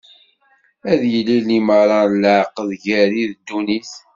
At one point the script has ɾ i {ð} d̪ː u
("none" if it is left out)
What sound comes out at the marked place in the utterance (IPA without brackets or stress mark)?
ð